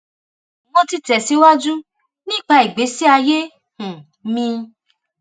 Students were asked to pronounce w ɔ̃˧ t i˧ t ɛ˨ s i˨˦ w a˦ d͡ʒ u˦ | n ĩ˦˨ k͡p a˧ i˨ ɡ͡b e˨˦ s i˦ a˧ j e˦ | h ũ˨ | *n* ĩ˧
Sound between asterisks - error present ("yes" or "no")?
yes